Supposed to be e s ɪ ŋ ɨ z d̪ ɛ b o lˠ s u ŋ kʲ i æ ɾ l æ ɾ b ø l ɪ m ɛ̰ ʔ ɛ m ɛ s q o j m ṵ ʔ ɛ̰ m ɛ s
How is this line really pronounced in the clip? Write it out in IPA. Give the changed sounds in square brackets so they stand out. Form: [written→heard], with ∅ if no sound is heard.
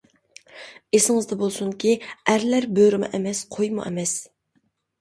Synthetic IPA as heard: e s ɪ ŋ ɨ z d̪ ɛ b o lˠ s u ŋ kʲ i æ ɾ l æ ɾ b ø [l→ɾ] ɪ m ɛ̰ ʔ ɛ m ɛ s [q→qʰ] o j m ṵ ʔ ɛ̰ m ɛ s